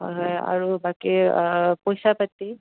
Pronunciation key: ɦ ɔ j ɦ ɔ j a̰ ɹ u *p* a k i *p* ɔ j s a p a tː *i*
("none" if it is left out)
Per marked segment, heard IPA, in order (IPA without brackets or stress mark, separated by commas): b, p, i